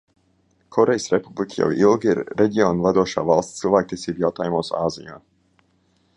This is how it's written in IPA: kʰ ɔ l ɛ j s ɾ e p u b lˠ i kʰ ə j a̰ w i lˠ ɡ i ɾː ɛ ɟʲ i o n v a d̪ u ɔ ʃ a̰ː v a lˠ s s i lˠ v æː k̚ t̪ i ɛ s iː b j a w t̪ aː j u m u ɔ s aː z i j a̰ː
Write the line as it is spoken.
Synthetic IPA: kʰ ɔ ɾ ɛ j s ɾ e p u b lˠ i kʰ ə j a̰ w i lˠ ɡ i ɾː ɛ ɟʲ i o n v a d̪ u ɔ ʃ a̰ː v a lˠ s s i lˠ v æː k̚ t̪ i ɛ s iː b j a w t̪ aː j u m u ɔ s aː z i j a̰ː